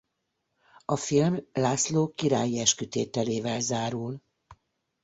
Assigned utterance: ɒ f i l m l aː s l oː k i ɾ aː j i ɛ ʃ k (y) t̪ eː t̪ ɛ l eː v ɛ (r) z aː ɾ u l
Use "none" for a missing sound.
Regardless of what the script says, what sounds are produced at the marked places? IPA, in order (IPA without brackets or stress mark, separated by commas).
y, l